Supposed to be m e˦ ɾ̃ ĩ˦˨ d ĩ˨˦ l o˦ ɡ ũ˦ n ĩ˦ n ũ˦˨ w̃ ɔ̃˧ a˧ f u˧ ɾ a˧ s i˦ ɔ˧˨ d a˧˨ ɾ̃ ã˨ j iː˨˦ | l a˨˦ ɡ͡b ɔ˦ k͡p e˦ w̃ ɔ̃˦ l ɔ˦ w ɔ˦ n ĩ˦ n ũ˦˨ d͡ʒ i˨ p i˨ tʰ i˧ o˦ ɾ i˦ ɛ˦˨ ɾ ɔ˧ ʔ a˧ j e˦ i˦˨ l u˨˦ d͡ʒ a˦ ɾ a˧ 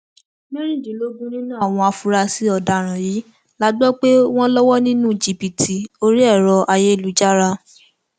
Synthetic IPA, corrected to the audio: m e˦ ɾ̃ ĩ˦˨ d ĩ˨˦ l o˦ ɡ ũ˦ n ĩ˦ n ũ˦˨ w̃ ɔ̃˧ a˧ f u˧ ɾ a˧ s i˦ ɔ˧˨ d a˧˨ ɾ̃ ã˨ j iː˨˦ | l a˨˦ ɡ͡b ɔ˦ k͡p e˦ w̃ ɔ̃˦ l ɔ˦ w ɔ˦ n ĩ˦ n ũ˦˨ d͡ʒ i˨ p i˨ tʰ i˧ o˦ ɾ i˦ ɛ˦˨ ɾ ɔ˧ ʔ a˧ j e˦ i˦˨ l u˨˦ d͡ʒ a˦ ɾ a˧